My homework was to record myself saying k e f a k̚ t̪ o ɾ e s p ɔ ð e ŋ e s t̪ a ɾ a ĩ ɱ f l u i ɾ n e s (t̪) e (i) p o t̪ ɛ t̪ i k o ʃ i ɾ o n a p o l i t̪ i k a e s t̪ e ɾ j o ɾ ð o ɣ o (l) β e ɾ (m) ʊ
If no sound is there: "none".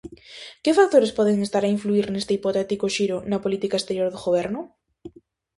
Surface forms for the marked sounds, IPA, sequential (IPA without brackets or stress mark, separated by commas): t̪, i, none, n